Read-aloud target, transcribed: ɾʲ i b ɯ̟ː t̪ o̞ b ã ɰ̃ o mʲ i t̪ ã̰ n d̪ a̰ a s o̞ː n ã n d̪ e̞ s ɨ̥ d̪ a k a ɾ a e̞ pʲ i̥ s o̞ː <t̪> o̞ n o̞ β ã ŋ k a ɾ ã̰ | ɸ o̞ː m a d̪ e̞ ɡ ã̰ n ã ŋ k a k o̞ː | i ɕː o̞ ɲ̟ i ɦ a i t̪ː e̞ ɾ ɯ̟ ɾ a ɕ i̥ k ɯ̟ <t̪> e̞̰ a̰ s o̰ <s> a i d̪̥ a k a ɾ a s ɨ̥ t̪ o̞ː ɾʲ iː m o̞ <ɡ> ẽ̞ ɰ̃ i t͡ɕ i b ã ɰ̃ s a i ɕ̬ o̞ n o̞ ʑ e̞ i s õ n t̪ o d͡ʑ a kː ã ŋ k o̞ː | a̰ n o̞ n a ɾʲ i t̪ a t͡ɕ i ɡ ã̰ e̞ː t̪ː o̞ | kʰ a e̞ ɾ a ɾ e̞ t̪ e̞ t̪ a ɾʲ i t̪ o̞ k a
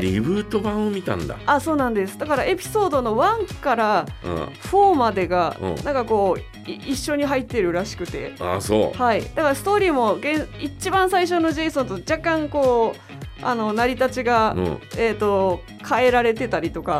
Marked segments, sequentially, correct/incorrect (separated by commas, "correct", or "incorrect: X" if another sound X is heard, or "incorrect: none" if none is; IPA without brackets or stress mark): incorrect: d̪, correct, incorrect: h, correct